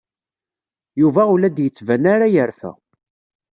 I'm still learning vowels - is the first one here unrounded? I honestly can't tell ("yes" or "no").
no